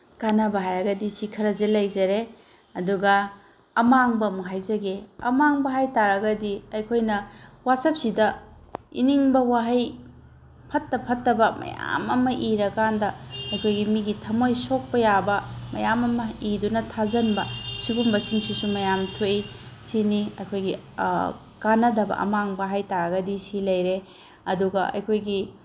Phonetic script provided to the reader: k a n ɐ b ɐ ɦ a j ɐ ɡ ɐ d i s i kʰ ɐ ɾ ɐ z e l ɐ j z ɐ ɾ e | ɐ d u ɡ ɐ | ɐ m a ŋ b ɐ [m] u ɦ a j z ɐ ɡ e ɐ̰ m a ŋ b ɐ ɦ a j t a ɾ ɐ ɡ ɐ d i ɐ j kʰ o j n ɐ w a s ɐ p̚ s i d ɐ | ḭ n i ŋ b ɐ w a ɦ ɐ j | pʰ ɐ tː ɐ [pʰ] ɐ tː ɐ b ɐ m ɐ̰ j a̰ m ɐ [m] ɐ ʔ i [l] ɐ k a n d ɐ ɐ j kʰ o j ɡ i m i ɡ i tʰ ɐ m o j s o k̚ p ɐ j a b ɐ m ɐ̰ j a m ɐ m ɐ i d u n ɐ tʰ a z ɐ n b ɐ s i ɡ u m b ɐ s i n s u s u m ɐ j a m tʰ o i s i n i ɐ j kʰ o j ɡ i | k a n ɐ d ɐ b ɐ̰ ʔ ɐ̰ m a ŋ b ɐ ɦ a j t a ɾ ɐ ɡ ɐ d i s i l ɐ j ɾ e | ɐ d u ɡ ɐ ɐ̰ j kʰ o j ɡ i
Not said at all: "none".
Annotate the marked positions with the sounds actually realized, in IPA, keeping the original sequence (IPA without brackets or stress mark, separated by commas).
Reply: m, pʰ, m, ɾ